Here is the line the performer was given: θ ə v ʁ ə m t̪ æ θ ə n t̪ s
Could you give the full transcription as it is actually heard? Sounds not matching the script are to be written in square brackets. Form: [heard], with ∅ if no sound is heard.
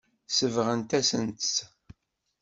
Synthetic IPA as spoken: [s] ə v ʁ ə [n] t̪ æ [s] ə n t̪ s